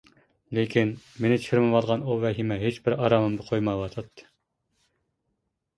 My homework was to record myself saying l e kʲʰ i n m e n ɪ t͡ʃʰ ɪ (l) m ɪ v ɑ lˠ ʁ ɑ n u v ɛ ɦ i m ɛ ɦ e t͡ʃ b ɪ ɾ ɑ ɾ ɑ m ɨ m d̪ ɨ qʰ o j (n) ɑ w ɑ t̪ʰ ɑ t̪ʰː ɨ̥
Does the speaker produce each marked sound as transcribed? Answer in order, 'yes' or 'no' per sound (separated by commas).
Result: no, no